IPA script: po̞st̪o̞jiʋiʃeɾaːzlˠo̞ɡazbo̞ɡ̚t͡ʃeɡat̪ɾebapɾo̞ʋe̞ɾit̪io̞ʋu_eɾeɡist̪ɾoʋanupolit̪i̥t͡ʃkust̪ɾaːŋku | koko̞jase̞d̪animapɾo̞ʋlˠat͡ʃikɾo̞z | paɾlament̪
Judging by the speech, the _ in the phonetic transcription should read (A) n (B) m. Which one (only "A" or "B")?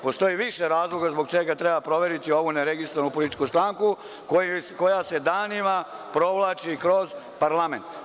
A